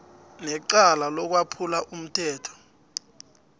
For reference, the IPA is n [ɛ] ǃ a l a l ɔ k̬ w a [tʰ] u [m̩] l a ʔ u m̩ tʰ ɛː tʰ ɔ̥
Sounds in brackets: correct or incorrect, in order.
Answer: correct, incorrect: pʰ, incorrect: none

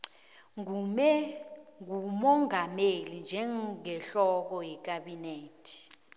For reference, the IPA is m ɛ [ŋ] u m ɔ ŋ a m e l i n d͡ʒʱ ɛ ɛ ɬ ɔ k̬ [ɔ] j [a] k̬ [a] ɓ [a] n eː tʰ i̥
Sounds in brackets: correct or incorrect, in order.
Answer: correct, correct, incorrect: ɛ, correct, incorrect: i

